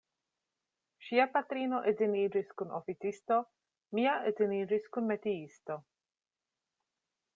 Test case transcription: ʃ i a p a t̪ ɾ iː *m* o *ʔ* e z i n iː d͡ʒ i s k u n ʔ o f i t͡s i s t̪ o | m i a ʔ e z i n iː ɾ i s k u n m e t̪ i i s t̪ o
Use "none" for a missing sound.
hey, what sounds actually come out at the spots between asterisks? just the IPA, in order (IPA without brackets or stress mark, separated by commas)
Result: n, ʔ